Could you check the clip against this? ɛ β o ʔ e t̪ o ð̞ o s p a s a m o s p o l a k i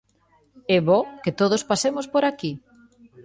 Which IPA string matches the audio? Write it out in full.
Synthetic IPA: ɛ β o k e t̪ o ð̞ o s p a s e m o s p o ɾ a k i